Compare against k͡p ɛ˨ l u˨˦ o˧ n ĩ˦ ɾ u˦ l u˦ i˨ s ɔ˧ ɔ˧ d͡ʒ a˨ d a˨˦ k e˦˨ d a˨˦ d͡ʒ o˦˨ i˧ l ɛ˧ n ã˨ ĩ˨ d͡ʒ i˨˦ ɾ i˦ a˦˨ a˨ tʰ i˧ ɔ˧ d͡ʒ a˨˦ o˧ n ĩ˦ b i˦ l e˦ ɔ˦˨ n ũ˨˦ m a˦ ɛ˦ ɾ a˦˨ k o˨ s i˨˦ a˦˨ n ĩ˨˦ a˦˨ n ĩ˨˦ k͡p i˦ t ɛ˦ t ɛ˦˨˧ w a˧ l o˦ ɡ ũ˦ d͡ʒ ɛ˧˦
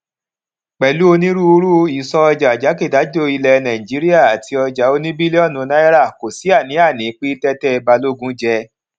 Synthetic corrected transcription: k͡p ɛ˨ l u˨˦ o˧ n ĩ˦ ɾ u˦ ɾ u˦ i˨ s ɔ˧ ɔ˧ d͡ʒ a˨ d͡ʒ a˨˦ k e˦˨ d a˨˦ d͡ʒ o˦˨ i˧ l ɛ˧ n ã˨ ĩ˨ d͡ʒ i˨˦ ɾ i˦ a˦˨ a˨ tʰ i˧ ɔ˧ d͡ʒ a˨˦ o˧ n ĩ˦ b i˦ l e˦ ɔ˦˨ n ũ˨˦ n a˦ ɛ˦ ɾ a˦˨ k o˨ s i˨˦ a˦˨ n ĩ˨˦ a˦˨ n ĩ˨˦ k͡p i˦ t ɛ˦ t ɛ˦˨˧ b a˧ l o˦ ɡ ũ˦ d͡ʒ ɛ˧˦